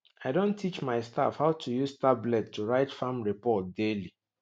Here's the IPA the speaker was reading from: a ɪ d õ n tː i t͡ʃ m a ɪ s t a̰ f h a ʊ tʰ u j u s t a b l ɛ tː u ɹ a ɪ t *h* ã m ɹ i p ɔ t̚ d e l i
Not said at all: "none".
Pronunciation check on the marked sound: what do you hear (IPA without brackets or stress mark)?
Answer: f